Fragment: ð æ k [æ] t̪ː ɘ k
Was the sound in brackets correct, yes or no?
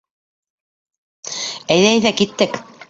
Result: no